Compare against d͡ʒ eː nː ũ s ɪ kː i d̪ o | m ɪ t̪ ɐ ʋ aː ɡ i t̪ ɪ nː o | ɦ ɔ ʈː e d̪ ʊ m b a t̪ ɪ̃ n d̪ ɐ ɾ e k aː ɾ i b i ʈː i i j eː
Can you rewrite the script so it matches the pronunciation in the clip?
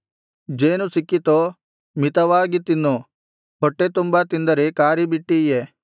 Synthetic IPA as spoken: d͡ʒ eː n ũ s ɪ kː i t̪ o | m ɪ t̪ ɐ ʋ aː ɡ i t̪ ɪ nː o | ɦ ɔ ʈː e t̪ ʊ m b a t̪ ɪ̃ n d̪ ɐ ɾ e k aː ɾ i b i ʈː i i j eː

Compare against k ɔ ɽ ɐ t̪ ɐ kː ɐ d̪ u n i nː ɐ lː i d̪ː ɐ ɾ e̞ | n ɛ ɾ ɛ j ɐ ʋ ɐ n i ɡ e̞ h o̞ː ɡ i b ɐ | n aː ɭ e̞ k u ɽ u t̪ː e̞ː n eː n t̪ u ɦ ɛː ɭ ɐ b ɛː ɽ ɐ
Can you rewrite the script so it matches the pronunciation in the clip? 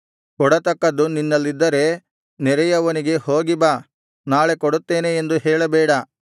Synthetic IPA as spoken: k ɔ ɽ ɐ t̪ ɐ kː ɐ d̪ u n i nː ɐ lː i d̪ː ɐ ɾ e̞ | n ɛ ɾ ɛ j ɐ ʋ ɐ n i ɡ e̞ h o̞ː ɡ i b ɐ | n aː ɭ e̞ k ɔ ɽ u t̪ː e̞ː n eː n d̪ u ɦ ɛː ɭ ɐ b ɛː ɽ ɐ

